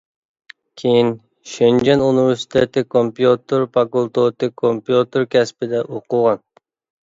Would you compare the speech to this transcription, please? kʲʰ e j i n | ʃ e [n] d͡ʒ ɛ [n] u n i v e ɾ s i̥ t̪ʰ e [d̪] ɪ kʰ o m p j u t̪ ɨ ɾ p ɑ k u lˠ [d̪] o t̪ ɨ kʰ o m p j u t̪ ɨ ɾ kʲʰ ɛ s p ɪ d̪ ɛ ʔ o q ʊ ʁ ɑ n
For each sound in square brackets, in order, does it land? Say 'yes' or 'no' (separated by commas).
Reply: yes, yes, no, no